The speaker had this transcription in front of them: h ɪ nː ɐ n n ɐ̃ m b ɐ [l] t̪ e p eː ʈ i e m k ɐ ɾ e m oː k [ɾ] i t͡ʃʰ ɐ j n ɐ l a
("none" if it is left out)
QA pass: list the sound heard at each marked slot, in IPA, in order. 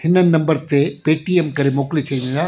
ɾ, l

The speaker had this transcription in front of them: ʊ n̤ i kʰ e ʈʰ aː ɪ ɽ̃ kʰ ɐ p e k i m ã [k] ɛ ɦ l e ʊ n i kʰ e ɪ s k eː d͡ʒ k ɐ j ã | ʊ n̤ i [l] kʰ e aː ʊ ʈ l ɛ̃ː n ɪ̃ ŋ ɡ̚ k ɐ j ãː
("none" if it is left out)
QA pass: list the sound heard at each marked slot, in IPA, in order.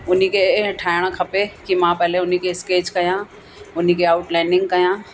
p, none

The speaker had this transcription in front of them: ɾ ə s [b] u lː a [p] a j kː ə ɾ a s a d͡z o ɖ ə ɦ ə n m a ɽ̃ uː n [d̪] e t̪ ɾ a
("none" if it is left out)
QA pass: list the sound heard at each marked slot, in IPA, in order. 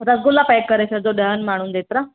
ɡ, p, d̪

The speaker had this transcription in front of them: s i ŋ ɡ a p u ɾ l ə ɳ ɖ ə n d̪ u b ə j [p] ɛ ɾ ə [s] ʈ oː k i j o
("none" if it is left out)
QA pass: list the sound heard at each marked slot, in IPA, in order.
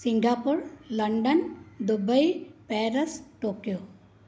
p, s

